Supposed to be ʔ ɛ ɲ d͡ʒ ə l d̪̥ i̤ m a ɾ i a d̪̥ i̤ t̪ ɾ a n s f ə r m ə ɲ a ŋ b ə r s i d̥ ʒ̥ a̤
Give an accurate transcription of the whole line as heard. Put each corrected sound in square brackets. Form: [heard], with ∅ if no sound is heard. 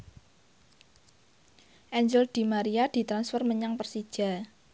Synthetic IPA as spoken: ʔ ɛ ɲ d͡ʒ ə l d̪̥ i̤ m a ɾ i a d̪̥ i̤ t̪ ɾ a n s f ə r m ə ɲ a ŋ [p] ə r s i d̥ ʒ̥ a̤